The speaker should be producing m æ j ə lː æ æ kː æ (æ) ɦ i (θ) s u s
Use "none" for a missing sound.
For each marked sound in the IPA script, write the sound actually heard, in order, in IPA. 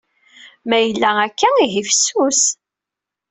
i, f

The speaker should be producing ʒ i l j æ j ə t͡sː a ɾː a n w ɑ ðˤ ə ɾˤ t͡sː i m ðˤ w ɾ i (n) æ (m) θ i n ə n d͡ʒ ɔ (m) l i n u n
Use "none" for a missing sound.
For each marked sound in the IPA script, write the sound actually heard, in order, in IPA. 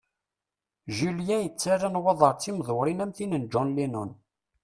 n, m, n

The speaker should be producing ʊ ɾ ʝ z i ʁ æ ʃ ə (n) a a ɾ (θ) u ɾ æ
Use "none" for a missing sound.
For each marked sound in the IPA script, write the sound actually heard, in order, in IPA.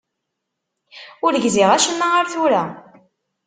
nː, θ

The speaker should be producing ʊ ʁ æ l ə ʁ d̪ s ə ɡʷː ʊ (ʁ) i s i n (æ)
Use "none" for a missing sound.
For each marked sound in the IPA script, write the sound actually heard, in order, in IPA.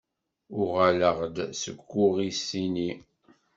ʁ, i

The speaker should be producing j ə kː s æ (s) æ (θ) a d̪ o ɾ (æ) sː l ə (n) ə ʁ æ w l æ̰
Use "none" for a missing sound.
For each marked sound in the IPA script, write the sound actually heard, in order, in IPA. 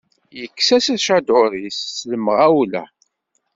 s, ʃ, i, m

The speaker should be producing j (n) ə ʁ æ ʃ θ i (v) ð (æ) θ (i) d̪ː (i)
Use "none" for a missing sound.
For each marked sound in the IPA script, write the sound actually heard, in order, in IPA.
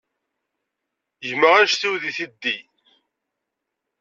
m, w, i, i, i

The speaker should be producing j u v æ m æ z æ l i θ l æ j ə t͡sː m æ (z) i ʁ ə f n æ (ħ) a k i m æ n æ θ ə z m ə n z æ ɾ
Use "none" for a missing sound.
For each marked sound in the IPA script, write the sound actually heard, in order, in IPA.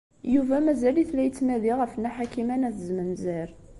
ð, ħ

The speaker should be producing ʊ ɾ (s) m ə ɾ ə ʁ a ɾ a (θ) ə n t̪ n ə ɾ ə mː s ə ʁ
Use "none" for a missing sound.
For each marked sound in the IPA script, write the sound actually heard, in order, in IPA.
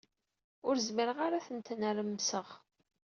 z, θ

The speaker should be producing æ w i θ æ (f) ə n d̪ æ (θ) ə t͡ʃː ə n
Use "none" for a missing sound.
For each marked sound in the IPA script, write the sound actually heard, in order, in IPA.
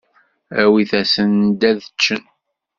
s, ð

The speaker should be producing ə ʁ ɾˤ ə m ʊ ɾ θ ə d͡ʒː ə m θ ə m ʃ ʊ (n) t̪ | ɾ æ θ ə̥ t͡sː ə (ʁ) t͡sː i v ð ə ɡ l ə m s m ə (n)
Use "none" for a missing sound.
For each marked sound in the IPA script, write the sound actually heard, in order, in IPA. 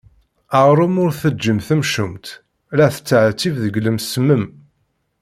m, ʕ, m

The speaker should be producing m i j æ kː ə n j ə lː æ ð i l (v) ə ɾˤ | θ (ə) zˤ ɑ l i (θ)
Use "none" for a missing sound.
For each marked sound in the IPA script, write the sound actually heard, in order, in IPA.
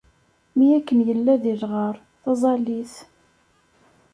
ʁ, ɑ, θ

